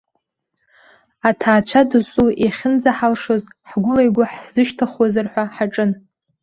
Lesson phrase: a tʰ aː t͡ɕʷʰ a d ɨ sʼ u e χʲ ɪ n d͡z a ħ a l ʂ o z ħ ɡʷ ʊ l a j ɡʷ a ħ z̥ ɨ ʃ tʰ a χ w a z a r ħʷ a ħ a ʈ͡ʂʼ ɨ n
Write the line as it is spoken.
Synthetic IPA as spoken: a tʰ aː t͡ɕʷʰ a d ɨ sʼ u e χʲ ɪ n d͡z a ħ a l ʂ o z ħ ɡʷ ʊ l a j ɡʷ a ħ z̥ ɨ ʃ tʰ a χ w a z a r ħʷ a ħ a ʈ͡ʂʼ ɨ n